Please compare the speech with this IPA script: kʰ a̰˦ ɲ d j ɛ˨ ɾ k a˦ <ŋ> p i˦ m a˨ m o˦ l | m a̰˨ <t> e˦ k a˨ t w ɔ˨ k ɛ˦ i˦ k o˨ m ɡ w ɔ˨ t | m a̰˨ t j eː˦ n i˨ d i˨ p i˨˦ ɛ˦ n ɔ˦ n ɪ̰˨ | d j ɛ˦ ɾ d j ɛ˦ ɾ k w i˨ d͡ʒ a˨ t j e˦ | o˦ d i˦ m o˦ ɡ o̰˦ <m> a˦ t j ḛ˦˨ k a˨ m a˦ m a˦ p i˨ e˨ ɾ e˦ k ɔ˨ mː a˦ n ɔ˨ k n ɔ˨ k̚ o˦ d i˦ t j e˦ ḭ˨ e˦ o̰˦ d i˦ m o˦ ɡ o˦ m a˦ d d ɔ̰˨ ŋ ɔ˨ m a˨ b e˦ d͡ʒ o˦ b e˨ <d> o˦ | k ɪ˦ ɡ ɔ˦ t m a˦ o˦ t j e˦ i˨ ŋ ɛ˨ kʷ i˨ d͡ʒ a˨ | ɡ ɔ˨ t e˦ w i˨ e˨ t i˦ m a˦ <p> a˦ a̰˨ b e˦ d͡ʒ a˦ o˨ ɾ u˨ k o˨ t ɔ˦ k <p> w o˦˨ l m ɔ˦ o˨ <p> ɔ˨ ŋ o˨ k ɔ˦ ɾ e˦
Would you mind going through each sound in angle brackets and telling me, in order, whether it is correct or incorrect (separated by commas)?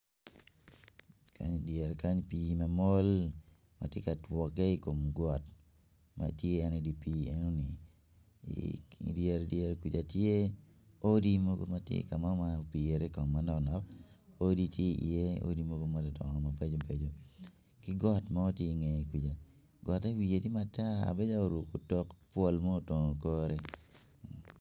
incorrect, correct, correct, incorrect, incorrect, correct, incorrect